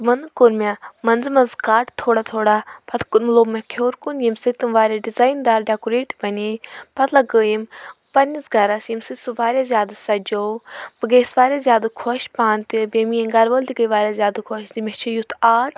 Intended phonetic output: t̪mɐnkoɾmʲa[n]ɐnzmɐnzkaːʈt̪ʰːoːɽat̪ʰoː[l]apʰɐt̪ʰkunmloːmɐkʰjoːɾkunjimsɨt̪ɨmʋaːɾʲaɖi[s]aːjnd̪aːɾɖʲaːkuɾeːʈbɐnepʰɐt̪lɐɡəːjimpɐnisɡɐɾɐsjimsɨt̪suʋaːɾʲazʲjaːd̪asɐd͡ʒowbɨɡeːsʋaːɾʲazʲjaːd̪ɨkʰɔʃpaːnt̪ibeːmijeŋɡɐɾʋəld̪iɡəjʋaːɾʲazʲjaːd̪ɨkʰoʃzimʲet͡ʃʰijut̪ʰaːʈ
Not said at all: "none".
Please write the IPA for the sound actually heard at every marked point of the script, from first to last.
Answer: m, ɽ, z

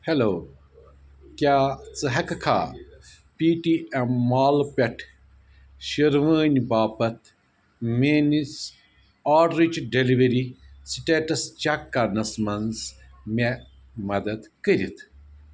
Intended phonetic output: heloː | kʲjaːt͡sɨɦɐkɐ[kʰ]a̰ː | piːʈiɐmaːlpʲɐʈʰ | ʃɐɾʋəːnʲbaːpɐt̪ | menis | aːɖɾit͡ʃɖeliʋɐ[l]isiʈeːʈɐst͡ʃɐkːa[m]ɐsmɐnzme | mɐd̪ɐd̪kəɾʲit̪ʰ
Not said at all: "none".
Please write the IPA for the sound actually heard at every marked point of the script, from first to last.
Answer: kʰ, ɾ, n

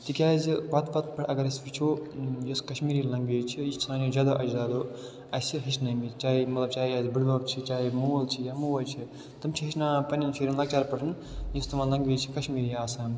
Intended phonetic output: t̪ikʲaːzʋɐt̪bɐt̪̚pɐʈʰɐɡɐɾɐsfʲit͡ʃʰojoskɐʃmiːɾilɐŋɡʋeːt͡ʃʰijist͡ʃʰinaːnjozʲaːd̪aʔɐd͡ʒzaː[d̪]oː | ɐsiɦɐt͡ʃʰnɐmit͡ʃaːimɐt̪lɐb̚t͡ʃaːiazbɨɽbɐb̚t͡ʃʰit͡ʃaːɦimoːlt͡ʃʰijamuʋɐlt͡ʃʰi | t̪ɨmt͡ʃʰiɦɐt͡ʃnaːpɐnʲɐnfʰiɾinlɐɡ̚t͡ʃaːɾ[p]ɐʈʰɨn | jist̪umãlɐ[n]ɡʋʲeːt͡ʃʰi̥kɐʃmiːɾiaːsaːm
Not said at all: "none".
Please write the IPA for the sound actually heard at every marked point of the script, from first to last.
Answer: d̪, p, ŋ

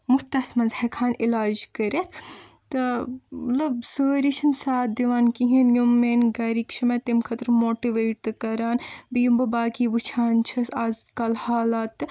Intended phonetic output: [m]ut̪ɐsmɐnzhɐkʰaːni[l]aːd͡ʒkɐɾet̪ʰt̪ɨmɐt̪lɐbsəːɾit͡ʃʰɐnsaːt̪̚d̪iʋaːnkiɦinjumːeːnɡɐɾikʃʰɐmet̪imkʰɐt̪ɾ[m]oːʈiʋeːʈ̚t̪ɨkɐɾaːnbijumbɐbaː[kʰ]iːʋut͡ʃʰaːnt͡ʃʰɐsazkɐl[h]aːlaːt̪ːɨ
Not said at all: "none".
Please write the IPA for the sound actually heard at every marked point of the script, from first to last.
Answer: m, l, m, k, h

